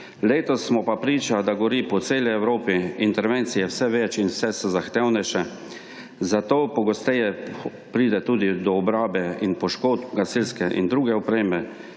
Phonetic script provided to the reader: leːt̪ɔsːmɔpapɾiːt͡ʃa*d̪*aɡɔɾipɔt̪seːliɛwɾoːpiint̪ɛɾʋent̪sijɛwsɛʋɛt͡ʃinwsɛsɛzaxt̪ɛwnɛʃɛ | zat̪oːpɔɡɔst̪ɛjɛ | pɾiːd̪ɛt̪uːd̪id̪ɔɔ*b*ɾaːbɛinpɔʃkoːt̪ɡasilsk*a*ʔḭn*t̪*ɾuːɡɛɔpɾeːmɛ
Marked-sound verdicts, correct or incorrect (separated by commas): correct, correct, incorrect, incorrect